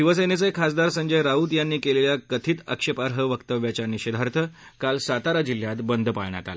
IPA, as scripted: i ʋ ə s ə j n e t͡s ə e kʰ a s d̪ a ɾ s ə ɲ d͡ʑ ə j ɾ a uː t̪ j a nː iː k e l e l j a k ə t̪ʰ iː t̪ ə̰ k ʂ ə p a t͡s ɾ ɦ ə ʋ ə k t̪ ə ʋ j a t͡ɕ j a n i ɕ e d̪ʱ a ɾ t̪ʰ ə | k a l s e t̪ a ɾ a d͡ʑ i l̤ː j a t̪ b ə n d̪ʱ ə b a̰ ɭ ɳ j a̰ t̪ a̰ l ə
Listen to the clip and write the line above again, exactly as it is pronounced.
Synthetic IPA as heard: i ʋ ə s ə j n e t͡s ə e kʰ a s d̪ a ɾ s ə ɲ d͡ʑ ə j ɾ a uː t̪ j a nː iː k e l e l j a k ə t̪ʰ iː t̪ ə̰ k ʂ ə p a ɾ ɦ ə ʋ ə k t̪ ə ʋ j a t͡ɕ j a n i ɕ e d̪ʱ a ɾ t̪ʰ ə | k a l s a t̪ a ɾ a d͡ʑ i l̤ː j a t̪ b ə n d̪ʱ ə p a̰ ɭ ɳ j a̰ t̪ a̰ l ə